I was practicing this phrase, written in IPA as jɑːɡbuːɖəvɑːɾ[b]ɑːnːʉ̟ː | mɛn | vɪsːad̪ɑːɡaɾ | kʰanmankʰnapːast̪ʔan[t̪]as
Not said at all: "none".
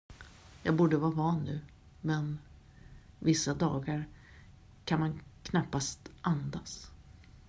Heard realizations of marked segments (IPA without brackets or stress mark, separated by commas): v, d̪